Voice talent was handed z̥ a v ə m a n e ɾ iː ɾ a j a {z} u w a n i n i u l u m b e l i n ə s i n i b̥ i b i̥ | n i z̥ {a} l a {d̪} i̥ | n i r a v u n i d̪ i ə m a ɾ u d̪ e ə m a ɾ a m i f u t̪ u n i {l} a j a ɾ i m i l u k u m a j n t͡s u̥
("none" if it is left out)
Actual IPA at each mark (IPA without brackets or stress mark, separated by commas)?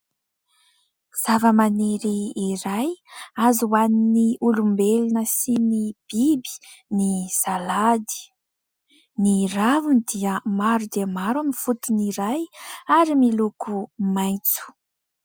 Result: z, a, d̪, ɾ